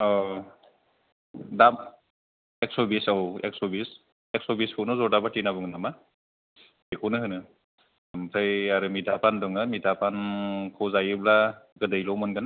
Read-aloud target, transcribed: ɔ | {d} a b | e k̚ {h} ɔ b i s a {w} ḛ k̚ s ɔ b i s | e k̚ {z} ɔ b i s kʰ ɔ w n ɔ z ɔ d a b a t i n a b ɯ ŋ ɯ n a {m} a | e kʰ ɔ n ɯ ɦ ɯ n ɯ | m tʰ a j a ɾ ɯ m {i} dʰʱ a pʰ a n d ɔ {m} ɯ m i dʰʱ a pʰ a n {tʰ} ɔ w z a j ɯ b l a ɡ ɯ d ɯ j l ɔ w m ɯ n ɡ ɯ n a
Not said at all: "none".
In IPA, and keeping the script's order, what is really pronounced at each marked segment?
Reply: d, s, w, s, m, i, ŋ, kʰ

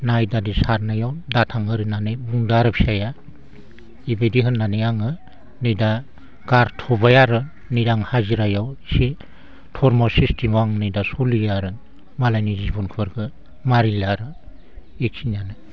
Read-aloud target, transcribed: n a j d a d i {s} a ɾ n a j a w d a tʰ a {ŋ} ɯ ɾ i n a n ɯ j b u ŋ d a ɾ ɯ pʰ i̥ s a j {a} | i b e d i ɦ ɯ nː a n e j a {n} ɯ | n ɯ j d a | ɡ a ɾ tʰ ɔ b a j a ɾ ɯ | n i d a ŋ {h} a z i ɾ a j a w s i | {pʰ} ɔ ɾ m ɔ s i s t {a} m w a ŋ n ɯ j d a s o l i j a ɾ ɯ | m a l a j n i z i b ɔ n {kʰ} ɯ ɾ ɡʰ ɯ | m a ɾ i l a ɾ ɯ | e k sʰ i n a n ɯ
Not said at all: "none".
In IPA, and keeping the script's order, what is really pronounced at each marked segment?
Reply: s, ŋ, a, ŋ, h, tʰ, i, kʰ

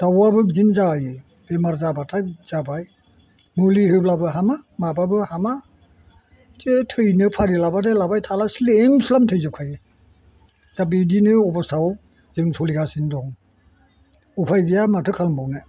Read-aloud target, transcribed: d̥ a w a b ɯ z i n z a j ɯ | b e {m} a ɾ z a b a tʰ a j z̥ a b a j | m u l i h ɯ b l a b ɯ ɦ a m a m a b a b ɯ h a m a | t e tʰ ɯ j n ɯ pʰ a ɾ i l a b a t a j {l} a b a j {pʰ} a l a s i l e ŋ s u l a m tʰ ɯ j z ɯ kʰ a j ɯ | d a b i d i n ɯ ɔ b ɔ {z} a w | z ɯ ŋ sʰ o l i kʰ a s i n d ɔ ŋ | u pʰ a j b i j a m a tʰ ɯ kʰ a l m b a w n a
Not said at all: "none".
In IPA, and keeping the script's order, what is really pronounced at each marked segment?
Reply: m, l, tʰ, s

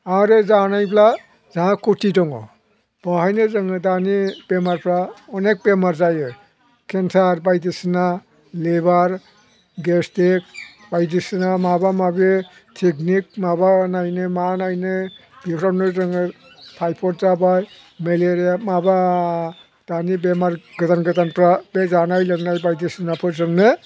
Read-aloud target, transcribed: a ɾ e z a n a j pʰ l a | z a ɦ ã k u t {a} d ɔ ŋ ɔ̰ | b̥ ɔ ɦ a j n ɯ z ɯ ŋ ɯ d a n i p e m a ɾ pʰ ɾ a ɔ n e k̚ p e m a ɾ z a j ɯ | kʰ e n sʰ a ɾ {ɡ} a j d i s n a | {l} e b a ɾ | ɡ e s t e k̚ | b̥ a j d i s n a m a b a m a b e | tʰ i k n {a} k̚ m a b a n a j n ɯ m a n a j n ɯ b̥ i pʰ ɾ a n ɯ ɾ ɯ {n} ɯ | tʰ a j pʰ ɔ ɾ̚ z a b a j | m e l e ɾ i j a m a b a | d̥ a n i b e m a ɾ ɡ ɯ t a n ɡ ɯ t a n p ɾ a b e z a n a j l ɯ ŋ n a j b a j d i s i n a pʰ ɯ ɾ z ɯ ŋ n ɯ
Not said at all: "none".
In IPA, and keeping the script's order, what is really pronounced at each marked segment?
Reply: i, b, l, i, ŋ

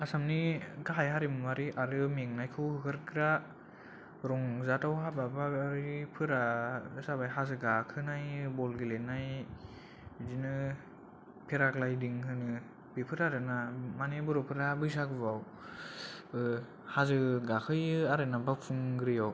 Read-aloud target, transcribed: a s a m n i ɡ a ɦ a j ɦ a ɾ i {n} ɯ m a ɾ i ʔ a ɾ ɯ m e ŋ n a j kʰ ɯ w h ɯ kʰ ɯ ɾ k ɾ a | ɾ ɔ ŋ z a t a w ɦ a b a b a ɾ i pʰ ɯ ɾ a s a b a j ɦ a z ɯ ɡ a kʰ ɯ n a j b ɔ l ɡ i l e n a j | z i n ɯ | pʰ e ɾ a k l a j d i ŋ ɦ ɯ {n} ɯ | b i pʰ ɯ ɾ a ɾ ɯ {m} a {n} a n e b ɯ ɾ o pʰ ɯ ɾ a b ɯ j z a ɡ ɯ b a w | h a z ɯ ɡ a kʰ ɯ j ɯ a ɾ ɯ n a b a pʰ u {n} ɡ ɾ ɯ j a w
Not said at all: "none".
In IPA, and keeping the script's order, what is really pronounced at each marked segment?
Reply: m, n, n, m, ŋ

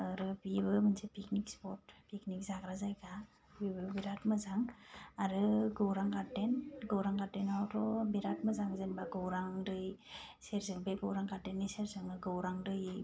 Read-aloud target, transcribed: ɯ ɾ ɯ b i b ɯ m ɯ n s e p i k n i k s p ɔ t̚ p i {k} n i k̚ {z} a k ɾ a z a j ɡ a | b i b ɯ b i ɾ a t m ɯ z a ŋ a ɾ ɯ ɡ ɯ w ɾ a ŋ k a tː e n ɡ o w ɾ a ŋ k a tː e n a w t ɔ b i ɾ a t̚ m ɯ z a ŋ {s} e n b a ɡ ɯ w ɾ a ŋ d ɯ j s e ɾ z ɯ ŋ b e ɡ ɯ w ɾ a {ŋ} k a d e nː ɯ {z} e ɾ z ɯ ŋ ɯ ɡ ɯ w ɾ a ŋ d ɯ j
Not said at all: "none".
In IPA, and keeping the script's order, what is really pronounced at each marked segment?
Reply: k, z, z, ŋ, s

